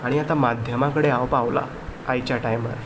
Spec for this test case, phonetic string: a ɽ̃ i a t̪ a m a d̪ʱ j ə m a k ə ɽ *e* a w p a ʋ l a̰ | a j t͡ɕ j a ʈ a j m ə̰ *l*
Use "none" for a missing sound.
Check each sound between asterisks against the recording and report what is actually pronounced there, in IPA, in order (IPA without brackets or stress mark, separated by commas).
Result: e, ɾ